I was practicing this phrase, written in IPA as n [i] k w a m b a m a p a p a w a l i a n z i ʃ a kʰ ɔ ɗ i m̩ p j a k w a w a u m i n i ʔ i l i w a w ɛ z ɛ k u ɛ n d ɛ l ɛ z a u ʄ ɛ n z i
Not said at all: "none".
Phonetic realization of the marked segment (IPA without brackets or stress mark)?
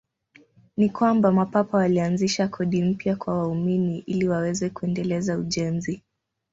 i